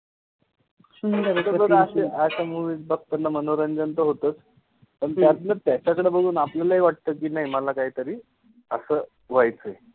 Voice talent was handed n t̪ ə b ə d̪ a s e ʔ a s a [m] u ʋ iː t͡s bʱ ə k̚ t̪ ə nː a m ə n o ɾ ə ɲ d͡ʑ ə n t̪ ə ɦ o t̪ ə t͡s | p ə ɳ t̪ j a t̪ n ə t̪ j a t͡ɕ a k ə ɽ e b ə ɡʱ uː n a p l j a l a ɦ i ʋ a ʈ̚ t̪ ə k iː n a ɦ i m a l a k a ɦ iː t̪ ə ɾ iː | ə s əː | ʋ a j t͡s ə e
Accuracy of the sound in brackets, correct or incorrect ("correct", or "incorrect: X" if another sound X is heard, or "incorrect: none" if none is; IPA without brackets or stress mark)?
correct